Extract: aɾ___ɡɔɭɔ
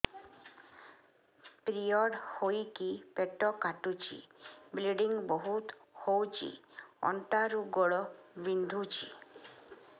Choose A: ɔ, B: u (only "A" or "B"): B